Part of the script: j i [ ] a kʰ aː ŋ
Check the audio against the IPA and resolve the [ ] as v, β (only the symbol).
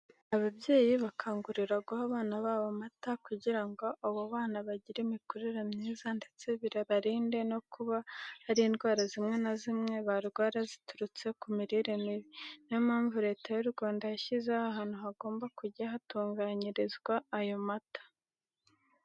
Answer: β